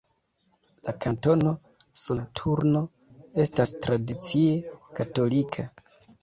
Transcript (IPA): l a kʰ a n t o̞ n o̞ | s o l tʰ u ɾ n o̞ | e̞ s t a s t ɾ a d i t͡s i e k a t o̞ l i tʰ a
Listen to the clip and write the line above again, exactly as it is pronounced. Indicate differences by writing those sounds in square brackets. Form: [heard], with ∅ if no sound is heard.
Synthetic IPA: l a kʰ a n t o̞ n o̞ | s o l tʰ u ɾ n o̞ | e̞ s t a s t ɾ a d i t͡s i e k a t o̞ l i [kʰ] a